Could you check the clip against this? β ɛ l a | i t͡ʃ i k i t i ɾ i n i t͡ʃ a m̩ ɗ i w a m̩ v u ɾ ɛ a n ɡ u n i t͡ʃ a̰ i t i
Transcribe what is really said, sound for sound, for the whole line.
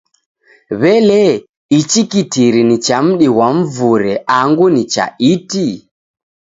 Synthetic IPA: β ɛ l ɛ | i t͡ʃ i k i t i ɾ i n i t͡ʃ a m̩ ɗ i w a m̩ v u ɾ ɛ a ŋ ɡ u n i t͡ʃ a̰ i t i